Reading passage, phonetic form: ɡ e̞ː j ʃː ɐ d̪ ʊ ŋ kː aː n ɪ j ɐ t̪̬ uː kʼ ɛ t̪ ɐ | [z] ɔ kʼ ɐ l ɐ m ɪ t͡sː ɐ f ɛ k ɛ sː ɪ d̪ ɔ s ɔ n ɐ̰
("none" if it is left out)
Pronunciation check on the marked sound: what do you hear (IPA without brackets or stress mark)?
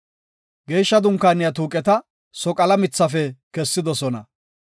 s